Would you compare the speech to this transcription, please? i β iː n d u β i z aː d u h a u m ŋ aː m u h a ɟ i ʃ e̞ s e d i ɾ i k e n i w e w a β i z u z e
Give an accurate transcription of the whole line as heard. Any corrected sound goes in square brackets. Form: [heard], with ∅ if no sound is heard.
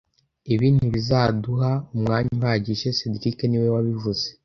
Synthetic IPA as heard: i β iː n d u β i z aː d u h a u m ŋ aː [ɲ] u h a ɟ i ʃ e̞ s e d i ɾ i k e n i w e w a β i [v] u z e